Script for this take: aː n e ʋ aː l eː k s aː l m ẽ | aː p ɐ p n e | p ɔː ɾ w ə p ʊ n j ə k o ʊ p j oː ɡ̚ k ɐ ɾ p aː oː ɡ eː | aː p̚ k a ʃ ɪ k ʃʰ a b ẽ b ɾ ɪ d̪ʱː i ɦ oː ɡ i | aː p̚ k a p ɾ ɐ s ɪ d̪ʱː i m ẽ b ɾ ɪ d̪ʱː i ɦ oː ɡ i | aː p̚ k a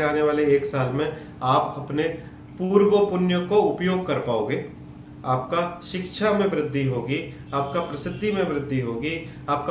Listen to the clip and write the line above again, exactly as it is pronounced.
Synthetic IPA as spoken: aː n e ʋ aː l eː k s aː l m ẽ | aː p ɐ p n e | p uː ɾ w ə p ʊ n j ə k o ʊ p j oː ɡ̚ k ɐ ɾ p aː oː ɡ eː | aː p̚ k a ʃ ɪ k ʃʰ a m ẽ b ɾ ɪ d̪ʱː i ɦ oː ɡ i | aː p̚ k a p ɾ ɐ s ɪ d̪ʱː i m ẽ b ɾ ɪ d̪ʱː i ɦ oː ɡ i | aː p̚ k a